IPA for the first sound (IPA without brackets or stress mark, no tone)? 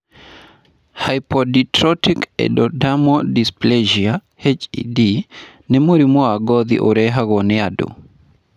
h